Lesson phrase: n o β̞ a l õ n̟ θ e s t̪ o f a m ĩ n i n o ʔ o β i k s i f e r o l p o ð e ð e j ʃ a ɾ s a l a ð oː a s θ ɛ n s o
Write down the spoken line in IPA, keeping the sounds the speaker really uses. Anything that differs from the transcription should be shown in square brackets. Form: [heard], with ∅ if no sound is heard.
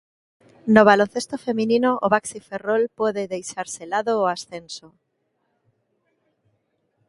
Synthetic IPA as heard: n o β̞ a l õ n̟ θ e s t̪ o f [e] m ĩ n i n o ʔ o β [a] k s i f e r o l p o ð e ð e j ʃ a ɾ s [e] l a ð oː a s θ [e] n s o